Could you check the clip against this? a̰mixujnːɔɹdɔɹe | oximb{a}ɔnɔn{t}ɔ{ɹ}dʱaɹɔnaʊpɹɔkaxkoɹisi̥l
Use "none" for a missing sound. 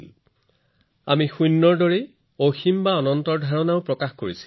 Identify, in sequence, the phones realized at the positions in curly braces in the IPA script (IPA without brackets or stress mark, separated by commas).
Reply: a, t, ɹ